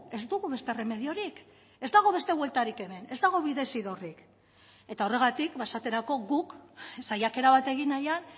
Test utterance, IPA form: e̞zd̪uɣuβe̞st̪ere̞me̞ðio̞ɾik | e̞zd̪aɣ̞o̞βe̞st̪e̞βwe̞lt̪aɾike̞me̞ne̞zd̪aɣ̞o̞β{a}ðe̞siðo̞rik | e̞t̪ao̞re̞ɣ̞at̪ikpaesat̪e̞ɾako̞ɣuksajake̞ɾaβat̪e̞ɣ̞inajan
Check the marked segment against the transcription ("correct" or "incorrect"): incorrect